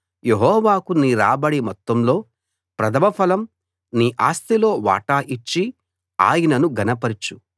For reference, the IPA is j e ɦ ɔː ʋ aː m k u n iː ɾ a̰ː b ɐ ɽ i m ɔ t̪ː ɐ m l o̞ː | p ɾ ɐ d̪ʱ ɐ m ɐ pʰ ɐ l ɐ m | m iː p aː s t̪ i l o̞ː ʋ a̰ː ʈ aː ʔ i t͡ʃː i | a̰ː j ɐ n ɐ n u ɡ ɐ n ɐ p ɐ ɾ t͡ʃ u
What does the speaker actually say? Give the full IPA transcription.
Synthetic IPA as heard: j e ɦ ɔː ʋ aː k u n iː ɾ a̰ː b ɐ ɽ i m ɔ t̪ː ɐ m l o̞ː | p ɾ ɐ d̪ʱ ɐ m ɐ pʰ ɐ l ɐ m | n iː ʔ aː s t̪ i l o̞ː ʋ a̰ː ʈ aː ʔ i t͡ʃː i | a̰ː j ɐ n ɐ n u ɡ ɐ n ɐ p ɐ ɾ t͡ʃ u